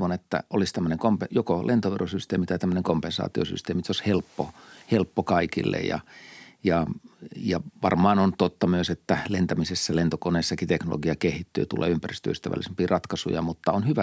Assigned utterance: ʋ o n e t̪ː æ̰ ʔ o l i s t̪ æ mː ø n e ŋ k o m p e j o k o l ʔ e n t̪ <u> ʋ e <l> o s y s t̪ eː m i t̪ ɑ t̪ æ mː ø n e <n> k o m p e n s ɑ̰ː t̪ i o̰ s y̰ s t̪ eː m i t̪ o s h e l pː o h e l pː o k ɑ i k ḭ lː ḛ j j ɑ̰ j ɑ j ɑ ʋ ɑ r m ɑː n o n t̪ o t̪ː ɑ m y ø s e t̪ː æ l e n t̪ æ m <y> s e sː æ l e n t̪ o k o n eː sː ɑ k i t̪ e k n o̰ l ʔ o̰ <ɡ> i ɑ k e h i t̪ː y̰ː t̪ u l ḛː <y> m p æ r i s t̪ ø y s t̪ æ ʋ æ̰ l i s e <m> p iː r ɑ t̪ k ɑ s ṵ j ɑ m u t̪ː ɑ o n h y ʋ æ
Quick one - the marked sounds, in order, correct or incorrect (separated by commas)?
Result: incorrect, incorrect, incorrect, incorrect, correct, correct, correct